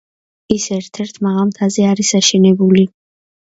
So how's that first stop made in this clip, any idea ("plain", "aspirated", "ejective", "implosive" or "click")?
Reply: aspirated